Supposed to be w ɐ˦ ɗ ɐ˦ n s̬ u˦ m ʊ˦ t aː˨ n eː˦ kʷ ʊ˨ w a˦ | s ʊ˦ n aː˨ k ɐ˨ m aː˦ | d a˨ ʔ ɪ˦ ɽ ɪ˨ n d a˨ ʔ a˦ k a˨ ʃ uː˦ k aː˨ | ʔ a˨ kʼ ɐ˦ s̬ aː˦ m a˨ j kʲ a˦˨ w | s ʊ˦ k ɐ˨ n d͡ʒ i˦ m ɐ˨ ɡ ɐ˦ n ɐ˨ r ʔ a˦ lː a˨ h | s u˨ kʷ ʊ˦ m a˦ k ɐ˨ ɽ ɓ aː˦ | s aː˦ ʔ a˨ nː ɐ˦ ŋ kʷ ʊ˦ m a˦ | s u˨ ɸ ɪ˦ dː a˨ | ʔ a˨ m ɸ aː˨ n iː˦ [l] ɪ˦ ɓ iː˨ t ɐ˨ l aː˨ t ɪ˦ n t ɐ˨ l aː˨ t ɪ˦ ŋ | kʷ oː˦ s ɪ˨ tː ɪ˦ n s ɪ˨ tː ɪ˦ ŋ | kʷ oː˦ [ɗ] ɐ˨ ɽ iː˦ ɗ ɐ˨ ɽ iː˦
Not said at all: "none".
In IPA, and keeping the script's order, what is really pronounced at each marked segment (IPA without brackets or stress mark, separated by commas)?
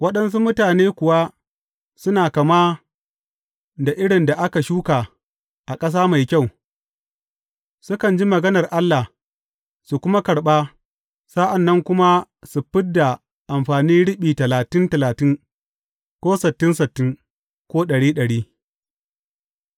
ɽ, ɗ